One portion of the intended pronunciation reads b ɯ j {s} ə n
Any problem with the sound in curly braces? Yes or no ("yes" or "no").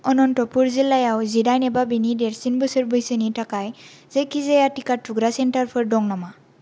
no